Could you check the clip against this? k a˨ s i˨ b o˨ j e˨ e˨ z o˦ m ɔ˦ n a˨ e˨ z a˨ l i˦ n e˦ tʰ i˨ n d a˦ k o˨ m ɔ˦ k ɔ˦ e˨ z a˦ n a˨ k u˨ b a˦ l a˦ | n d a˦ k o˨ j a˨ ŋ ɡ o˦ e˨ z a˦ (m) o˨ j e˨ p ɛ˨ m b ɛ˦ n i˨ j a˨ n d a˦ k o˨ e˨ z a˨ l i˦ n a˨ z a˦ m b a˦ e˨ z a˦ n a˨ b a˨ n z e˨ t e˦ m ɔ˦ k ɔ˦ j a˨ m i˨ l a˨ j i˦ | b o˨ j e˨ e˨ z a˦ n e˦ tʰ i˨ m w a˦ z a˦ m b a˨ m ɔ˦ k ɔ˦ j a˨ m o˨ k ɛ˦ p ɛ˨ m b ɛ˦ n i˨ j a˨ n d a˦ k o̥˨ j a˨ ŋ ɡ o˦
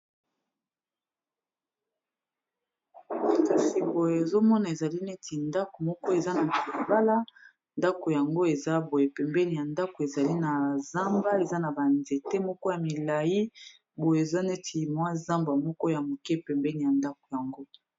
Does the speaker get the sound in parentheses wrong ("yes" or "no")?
yes